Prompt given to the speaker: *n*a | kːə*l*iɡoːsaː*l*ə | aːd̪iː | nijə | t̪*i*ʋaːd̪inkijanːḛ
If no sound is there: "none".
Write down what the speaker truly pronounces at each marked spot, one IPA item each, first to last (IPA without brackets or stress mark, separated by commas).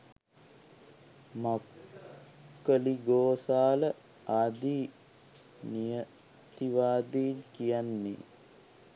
m, l, l, i